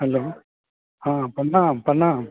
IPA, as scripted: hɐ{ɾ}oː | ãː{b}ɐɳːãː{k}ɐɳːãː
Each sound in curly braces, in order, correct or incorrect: incorrect, incorrect, incorrect

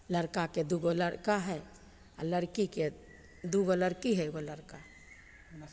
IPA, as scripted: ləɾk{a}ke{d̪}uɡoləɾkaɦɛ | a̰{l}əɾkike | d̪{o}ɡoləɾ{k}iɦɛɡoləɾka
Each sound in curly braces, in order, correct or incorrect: correct, correct, correct, incorrect, correct

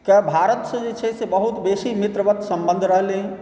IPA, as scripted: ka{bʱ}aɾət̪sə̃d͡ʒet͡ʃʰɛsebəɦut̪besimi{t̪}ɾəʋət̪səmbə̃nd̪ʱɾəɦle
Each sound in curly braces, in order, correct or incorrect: correct, correct

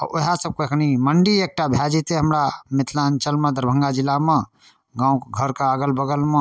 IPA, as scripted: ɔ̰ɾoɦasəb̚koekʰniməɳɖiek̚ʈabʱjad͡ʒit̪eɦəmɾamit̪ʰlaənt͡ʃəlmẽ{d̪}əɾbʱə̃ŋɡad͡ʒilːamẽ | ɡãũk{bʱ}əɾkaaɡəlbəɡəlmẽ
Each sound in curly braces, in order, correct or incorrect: correct, incorrect

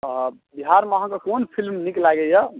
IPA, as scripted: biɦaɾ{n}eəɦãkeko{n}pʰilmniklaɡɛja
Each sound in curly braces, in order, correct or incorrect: incorrect, correct

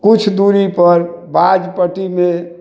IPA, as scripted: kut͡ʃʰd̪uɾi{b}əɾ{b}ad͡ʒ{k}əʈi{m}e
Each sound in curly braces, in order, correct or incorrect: incorrect, correct, incorrect, correct

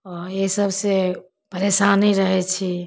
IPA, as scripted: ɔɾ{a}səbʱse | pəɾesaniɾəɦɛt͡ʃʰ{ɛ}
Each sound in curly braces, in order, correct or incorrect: incorrect, incorrect

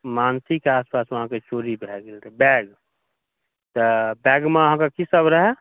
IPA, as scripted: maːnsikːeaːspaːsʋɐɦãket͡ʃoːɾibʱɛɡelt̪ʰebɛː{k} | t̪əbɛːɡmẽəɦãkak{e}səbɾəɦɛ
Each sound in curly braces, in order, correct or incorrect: incorrect, incorrect

